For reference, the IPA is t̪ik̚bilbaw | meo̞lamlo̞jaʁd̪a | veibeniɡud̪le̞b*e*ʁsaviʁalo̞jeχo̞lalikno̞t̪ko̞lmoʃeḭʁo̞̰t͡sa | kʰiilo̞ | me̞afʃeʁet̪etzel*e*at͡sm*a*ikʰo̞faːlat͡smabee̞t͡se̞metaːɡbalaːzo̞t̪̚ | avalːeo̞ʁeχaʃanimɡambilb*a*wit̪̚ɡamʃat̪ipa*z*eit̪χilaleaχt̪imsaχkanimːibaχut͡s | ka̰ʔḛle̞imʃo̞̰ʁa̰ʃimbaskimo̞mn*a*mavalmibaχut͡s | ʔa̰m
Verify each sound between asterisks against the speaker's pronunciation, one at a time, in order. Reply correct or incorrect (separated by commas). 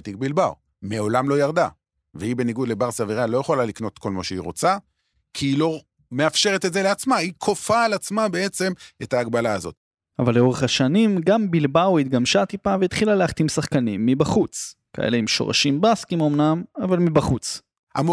incorrect, correct, correct, correct, incorrect, correct